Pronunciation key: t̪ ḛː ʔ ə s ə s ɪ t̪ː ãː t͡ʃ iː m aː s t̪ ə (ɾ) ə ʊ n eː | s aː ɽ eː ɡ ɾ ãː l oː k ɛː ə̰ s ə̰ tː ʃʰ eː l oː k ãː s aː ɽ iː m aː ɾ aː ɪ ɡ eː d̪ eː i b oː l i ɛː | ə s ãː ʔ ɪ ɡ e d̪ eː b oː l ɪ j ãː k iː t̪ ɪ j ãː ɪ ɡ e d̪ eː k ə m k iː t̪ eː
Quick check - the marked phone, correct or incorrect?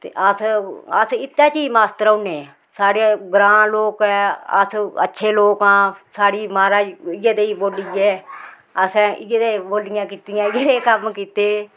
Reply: correct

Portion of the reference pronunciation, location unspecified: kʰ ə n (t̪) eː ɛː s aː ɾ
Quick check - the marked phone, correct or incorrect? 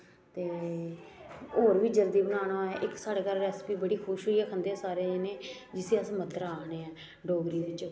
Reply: incorrect: d̪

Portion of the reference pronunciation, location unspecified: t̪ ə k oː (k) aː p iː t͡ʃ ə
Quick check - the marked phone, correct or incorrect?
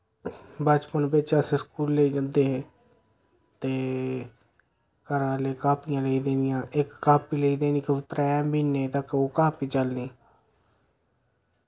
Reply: correct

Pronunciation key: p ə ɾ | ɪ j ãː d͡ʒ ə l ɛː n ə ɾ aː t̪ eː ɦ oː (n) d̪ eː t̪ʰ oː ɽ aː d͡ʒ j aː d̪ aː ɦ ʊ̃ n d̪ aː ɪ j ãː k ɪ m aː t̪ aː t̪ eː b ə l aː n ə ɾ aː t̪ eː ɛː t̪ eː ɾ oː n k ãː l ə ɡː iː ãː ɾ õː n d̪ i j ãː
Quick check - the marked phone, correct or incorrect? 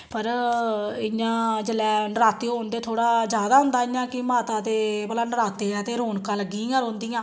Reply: correct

